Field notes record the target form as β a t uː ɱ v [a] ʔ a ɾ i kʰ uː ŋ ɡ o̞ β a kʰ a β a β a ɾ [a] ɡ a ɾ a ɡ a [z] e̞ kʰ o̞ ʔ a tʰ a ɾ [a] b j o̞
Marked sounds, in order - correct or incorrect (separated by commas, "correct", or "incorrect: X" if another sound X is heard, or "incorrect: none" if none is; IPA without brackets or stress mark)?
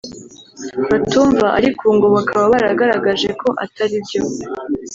correct, correct, incorrect: ʒ, incorrect: i